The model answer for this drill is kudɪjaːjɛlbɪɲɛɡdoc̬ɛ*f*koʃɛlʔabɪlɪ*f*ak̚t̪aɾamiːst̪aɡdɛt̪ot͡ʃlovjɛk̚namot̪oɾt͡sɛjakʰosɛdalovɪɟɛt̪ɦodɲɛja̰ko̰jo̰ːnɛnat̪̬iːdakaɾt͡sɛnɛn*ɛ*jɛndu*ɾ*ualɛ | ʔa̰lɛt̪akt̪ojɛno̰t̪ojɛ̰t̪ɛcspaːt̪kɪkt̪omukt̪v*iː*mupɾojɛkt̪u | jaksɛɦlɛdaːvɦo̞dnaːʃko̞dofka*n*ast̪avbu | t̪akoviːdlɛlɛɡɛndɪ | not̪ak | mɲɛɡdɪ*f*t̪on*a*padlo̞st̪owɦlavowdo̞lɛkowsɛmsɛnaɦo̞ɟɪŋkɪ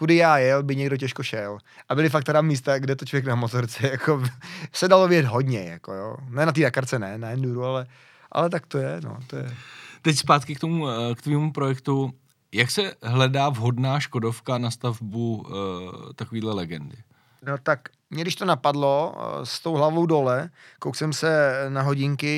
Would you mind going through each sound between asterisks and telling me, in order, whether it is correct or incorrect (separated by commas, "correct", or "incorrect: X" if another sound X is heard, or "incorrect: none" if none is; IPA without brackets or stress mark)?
incorrect: ʃ, correct, incorrect: a, correct, correct, correct, incorrect: ʃ, correct